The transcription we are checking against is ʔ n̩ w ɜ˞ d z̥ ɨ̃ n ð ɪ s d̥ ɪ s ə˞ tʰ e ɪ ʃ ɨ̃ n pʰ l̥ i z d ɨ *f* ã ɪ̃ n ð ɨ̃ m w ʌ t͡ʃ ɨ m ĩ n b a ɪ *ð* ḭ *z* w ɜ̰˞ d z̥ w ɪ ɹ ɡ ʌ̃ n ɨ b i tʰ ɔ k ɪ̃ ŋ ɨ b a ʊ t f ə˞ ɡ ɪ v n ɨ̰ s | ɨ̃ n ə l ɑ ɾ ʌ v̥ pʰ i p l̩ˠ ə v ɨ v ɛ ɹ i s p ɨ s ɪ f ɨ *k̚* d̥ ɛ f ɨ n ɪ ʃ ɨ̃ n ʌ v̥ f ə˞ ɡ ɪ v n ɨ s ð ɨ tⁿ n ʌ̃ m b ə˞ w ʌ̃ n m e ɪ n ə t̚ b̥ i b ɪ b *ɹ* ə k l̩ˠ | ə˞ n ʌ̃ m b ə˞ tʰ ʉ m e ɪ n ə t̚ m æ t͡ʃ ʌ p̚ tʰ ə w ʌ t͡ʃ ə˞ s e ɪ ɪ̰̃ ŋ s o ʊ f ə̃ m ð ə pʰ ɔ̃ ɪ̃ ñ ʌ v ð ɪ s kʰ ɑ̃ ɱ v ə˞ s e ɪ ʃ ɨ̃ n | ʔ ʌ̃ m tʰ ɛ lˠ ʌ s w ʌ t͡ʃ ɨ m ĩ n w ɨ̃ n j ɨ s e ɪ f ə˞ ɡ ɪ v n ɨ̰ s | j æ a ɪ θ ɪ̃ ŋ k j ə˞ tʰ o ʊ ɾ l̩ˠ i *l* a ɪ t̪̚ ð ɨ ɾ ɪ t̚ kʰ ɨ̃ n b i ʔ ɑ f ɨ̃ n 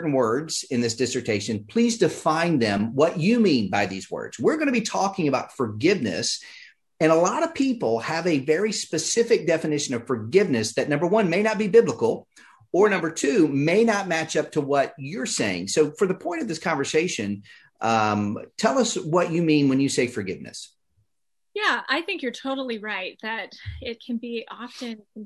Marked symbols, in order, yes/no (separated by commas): yes, yes, yes, yes, no, no